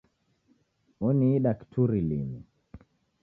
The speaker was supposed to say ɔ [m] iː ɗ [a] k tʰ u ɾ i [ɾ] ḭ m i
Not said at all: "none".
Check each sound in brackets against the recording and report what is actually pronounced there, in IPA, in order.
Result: n, a, l

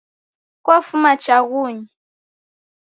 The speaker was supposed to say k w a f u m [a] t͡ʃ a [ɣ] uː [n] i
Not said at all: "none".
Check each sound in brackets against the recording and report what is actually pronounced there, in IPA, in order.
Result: a, ɣ, ɲ

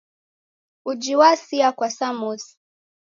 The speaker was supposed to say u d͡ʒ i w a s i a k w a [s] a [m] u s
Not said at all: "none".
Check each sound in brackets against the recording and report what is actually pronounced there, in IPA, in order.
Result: s, m

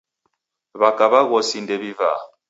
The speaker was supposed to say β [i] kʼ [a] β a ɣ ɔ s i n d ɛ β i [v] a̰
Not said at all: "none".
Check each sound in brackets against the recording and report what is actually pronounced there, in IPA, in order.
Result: a, a, v

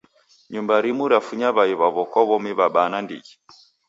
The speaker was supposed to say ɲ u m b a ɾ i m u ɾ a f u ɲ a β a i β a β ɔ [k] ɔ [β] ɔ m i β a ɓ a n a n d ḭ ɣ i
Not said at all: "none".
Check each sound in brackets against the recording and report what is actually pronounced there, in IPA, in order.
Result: k, β

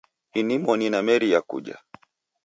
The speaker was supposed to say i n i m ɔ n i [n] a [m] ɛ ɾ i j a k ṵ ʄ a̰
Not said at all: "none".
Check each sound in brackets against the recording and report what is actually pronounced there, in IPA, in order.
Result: n, m

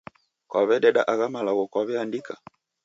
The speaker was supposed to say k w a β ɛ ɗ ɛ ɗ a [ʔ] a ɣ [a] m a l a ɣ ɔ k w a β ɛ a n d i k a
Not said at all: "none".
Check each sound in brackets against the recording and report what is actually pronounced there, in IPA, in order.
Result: ʔ, a

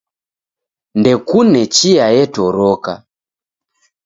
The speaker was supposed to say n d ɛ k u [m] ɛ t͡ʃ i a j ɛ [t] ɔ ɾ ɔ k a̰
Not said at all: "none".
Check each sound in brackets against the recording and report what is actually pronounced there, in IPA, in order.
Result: n, t

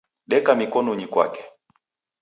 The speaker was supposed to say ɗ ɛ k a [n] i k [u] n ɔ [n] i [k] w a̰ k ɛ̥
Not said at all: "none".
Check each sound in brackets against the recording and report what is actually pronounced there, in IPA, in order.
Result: m, ɔ, ɲ, k

